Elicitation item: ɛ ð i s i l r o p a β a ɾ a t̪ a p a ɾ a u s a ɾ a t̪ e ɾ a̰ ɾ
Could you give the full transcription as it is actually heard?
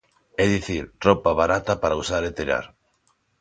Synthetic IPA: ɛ ð i θ i ɾ r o p a β a ɾ a t̪ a p a ɾ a u s a ɾ e t̪ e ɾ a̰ ɾ